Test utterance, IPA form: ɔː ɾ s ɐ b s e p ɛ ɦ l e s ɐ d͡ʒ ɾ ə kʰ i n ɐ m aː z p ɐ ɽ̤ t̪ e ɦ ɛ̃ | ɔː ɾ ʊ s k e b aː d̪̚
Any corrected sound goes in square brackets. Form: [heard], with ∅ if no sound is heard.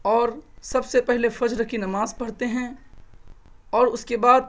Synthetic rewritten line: ɔː ɾ s ɐ b s e p ɛ ɦ l e [f] ɐ d͡ʒ ɾ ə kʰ i n ɐ m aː z p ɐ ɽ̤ t̪ e ɦ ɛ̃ | ɔː ɾ ʊ s k e b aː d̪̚